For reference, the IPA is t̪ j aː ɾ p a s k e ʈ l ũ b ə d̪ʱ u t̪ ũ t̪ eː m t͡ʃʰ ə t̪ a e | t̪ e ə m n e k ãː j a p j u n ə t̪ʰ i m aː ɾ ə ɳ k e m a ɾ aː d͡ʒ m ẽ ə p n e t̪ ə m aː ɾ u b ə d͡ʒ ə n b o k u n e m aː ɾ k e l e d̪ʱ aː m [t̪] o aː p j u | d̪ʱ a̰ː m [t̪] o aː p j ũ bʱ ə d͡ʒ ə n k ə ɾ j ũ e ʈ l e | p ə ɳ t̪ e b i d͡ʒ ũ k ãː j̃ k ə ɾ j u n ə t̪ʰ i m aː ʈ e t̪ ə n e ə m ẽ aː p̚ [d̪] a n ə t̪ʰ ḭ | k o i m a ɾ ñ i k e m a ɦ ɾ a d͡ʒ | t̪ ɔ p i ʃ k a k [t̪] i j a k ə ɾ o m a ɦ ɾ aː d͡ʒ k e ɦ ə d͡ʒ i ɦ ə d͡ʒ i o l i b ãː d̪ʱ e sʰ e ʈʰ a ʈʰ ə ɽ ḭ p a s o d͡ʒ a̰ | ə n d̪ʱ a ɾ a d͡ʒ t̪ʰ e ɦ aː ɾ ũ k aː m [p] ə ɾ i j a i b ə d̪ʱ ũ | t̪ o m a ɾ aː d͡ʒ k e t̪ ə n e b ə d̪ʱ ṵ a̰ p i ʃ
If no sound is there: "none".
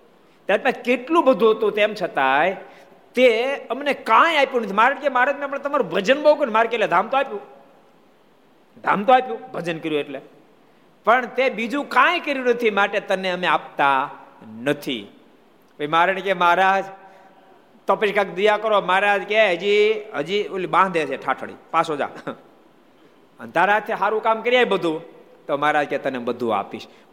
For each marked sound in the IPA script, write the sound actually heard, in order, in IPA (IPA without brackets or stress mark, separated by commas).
t̪, t̪, t̪, d̪, k